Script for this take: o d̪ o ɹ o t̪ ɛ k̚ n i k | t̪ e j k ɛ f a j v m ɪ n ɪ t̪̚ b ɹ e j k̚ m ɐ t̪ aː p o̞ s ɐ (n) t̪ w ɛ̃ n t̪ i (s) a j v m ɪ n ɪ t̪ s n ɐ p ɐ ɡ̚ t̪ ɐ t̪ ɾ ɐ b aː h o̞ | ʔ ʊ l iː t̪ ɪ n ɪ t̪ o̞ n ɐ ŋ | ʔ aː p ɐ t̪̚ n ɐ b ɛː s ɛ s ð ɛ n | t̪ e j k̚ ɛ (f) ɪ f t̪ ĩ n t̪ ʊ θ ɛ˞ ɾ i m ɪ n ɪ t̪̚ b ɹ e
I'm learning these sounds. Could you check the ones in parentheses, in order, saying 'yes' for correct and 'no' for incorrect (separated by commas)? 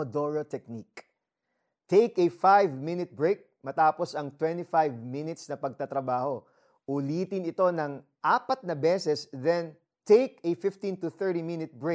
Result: no, no, yes